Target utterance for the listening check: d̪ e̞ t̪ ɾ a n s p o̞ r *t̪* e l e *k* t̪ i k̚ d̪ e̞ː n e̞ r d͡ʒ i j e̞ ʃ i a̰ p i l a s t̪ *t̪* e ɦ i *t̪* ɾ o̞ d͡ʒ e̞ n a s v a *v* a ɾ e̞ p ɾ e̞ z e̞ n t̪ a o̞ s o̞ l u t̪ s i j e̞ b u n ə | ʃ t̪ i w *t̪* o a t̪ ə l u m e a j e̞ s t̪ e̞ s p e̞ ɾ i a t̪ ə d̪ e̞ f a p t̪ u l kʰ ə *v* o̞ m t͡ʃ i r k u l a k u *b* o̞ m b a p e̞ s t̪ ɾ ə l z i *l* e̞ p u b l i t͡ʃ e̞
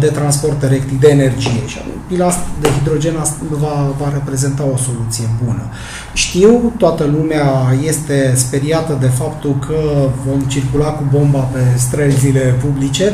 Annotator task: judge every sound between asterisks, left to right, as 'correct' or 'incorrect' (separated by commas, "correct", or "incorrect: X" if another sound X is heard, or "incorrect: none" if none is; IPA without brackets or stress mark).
correct, correct, incorrect: d̪, incorrect: d̪, correct, correct, correct, correct, correct